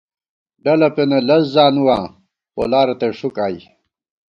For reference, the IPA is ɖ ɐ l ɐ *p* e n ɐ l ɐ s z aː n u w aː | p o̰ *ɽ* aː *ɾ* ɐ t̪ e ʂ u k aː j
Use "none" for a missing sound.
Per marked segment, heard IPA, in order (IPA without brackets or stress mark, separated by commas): p, l, ɾ